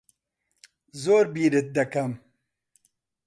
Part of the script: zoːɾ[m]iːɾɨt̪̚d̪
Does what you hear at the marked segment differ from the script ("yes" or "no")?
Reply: yes